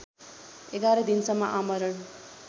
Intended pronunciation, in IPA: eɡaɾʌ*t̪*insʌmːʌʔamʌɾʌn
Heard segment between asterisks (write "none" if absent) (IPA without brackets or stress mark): d̪